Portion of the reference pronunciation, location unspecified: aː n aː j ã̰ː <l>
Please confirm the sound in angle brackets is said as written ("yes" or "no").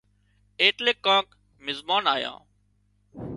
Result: no